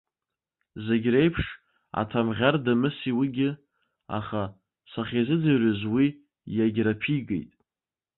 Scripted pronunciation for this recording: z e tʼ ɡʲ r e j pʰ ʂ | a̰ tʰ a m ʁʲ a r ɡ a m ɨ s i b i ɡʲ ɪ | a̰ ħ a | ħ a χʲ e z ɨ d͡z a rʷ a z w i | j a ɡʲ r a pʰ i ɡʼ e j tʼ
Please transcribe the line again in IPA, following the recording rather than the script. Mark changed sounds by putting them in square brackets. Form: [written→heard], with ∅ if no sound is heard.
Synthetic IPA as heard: z e [tʼ→∅] ɡʲ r e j pʰ ʂ | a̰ tʰ a m ʁʲ a r [ɡ→d] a m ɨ s i [b→w] i ɡʲ ɪ | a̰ [ħ→χ] a | [ħ→s] a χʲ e z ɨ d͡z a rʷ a z w i | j a ɡʲ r a pʰ i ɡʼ e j tʼ